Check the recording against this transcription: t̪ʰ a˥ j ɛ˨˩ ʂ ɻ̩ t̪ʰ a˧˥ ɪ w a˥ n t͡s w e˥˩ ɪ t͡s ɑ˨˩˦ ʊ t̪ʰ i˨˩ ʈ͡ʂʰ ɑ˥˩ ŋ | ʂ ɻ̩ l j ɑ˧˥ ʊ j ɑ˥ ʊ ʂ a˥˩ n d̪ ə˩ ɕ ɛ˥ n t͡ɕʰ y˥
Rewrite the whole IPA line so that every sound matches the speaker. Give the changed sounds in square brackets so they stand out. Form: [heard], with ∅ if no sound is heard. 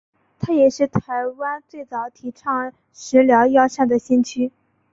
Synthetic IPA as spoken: t̪ʰ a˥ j ɛ˨˩ ʂ ɻ̩ t̪ʰ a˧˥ ɪ w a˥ n t͡s w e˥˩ ɪ t͡s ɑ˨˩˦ ʊ t̪ʰ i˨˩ ʈ͡ʂʰ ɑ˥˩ ŋ | ʂ ɻ̩ l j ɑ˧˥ ʊ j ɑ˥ ʊ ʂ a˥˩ n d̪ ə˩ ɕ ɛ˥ n t͡ɕʰ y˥